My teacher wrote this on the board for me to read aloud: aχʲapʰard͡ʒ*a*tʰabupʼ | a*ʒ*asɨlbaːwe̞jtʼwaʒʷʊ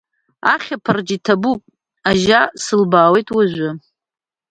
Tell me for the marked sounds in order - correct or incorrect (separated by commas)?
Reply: incorrect, correct